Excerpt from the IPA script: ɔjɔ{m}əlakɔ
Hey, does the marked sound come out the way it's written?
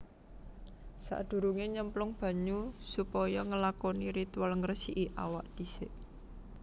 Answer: no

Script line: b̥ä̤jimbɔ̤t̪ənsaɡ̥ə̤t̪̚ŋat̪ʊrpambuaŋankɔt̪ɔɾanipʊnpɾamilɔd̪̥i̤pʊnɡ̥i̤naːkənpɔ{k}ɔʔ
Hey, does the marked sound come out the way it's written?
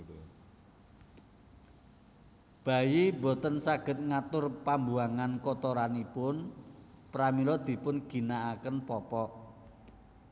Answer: no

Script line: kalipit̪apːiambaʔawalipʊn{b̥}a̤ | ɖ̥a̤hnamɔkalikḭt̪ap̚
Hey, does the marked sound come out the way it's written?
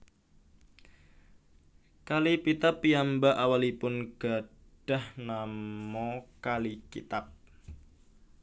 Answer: no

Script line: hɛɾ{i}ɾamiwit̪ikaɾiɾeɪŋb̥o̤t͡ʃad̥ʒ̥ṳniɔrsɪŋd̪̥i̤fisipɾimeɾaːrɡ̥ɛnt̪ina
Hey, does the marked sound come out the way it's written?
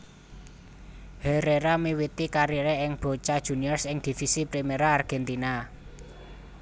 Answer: no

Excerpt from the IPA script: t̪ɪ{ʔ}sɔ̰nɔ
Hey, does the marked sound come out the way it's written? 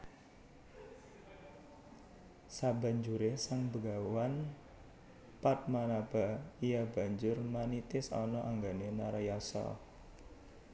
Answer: no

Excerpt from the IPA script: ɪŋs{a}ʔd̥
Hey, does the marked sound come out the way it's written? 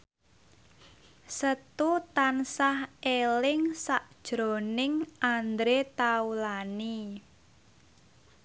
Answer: yes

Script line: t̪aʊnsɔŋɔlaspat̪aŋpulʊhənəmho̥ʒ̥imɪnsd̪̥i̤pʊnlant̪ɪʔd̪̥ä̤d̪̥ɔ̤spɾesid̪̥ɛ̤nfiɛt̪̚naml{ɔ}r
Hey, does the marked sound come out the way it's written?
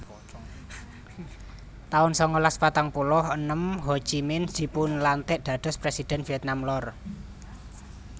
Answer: yes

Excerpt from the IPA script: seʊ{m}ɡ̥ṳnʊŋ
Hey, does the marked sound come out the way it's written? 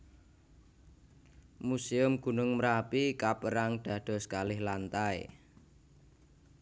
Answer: yes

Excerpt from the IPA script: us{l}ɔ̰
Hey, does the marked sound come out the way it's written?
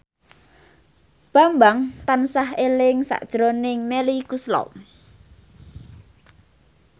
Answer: yes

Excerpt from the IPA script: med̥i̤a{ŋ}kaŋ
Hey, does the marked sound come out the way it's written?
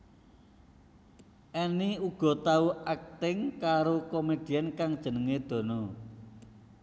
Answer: no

